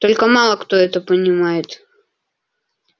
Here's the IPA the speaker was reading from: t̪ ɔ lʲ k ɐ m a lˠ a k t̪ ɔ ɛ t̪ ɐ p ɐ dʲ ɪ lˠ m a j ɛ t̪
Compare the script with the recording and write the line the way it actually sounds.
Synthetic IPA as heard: t̪ ɔ lʲ k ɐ m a lˠ ɐ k t̪ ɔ ɛ t̪ ɐ p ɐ nʲ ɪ m a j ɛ t̪